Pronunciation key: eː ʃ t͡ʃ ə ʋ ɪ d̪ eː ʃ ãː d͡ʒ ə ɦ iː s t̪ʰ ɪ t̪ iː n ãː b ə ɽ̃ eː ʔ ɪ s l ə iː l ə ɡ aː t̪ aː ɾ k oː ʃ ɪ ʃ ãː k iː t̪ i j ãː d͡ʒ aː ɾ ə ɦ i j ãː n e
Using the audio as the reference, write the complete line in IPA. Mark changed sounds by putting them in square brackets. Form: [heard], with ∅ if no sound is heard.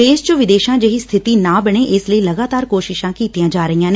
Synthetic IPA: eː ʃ t͡ʃ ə ʋ ɪ d̪ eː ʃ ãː d͡ʒ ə ɦ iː s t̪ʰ ɪ t̪ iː n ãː b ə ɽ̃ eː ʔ ɪ s l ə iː l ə ɡ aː t̪ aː ɾ k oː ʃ ɪ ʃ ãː k iː t̪ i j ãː d͡ʒ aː ɾ ə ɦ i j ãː n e